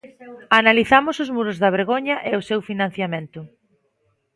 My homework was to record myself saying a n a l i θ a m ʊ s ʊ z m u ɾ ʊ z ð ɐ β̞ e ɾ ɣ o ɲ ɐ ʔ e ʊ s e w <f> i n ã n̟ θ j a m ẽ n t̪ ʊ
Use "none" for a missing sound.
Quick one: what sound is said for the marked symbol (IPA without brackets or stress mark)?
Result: f